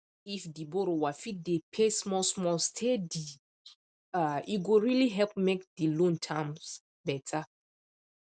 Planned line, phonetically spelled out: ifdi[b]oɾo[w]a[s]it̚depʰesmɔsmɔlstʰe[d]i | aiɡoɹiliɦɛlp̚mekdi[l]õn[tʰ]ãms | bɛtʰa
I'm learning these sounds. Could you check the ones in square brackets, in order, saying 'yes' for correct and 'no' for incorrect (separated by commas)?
yes, yes, no, yes, yes, yes